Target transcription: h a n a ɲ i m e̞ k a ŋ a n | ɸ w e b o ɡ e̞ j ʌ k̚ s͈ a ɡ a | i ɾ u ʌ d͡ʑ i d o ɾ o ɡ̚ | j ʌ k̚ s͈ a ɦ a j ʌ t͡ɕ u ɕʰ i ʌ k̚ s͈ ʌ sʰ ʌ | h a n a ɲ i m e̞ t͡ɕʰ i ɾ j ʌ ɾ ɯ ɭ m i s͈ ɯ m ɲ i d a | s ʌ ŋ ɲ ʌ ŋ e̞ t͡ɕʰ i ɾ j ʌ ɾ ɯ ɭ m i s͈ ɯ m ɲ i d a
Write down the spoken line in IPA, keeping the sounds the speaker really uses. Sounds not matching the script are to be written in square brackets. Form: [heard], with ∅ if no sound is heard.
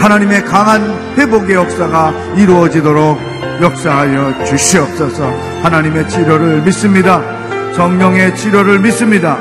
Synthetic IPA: h a n a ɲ i m e̞ k a ŋ a n | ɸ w e b o ɡ e̞ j ʌ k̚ s͈ a ɡ a | i ɾ u ʌ d͡ʑ i d o ɾ o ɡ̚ | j ʌ k̚ s͈ a ɦ a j ʌ t͡ɕ u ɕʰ i ʌ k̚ s͈ ʌ sʰ ʌ | h a n a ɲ i m e̞ t͡ɕʰ i ɾ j ʌ ɾ ɯ ɭ m i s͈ ɯ m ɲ i d a | s ʌ ŋ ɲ ʌ ŋ e̞ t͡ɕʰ i ɾ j ʌ ɾ ɯ ɭ m i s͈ ɯ m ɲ i d a